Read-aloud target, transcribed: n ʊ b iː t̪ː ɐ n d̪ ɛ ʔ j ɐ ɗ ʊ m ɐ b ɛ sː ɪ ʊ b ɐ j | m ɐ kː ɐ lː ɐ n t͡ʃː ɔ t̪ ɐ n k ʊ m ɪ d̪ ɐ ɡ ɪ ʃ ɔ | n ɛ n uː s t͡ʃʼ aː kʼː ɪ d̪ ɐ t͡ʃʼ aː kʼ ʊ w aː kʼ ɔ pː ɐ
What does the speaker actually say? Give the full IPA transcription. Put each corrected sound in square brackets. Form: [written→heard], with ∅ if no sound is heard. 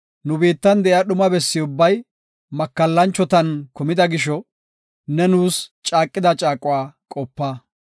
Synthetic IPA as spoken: n ʊ b iː t̪ː ɐ n d̪ ɛ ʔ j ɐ ɗ ʊ m ɐ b ɛ sː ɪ ʊ [b→bː] ɐ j | m ɐ kː ɐ lː ɐ n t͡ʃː ɔ t̪ ɐ n k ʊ m ɪ d̪ ɐ ɡ ɪ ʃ ɔ | n ɛ n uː s t͡ʃʼ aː kʼː ɪ d̪ ɐ t͡ʃʼ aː kʼ ʊ w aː kʼ ɔ pː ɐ

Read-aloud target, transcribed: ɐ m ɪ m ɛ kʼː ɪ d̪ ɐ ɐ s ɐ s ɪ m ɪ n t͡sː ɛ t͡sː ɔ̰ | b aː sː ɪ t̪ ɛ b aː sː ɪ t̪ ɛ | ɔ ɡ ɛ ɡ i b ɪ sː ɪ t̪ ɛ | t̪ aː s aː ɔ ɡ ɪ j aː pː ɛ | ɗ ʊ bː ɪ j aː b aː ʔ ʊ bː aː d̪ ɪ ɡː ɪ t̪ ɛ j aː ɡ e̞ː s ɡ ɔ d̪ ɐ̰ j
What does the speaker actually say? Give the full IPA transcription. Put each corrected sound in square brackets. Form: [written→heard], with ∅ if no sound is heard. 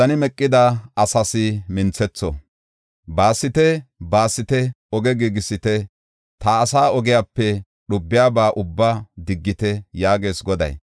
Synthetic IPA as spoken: ɐ [m→n] ɪ m ɛ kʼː ɪ d̪ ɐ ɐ s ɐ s ɪ m ɪ n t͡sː ɛ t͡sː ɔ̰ | b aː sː ɪ t̪ ɛ b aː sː ɪ t̪ ɛ | ɔ ɡ ɛ ɡ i [b→ɡ] ɪ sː ɪ t̪ ɛ | t̪ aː s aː ɔ ɡ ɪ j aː pː ɛ | ɗ ʊ bː ɪ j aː b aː ʔ ʊ bː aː d̪ ɪ ɡː ɪ t̪ ɛ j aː ɡ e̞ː s ɡ ɔ d̪ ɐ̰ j

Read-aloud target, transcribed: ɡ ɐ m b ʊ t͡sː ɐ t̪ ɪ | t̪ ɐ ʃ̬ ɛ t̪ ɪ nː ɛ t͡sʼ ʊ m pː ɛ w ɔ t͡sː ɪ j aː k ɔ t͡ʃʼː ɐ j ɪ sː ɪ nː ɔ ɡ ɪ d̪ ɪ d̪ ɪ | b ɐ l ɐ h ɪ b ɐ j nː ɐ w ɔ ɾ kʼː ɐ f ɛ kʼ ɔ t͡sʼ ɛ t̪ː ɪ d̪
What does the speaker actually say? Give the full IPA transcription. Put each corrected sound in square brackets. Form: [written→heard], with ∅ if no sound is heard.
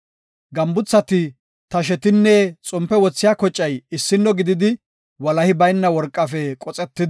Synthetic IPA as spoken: ɡ ɐ m b ʊ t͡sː ɐ t̪ ɪ | t̪ ɐ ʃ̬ ɛ t̪ ɪ nː ɛ t͡sʼ ʊ m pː ɛ w ɔ t͡sː ɪ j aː k ɔ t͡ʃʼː ɐ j ɪ sː ɪ nː ɔ ɡ ɪ d̪ ɪ d̪ ɪ | [b→w] ɐ l ɐ h ɪ b ɐ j nː ɐ w ɔ ɾ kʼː ɐ f ɛ kʼ ɔ t͡sʼ ɛ t̪ː ɪ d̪

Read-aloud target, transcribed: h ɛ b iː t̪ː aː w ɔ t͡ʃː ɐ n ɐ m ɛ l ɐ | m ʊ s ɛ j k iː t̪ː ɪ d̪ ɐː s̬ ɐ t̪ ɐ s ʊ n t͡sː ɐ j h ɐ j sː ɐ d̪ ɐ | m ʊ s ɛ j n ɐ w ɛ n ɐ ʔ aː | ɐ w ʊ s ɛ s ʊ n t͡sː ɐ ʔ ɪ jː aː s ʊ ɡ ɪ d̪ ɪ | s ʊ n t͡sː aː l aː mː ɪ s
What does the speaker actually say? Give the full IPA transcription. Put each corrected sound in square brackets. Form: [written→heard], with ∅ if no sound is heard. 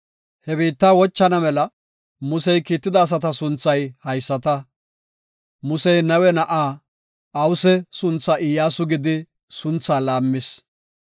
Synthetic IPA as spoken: h ɛ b iː t̪ː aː w ɔ t͡ʃː ɐ n ɐ m ɛ l ɐ | m ʊ s ɛ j k iː t̪ː ɪ d̪ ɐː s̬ ɐ t̪ ɐ s ʊ n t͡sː ɐ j h ɐ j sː ɐ [d̪→t̪] ɐ | m ʊ s ɛ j n ɐ w ɛ n ɐ ʔ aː | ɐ w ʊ s ɛ s ʊ n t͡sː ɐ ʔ ɪ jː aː s ʊ ɡ ɪ d̪ ɪ | s ʊ n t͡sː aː l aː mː ɪ s

